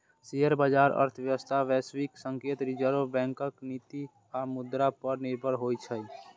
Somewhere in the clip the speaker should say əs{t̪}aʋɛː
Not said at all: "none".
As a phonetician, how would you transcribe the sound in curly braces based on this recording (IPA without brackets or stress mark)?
t̪ʰ